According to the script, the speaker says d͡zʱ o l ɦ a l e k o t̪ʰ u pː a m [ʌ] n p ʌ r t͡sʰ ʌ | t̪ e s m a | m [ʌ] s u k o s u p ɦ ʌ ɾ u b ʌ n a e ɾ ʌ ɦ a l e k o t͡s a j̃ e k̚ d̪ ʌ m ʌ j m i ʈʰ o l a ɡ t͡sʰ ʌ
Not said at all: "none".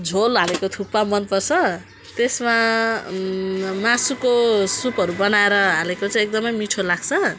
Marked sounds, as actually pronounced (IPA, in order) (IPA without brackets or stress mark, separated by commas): ʌ, a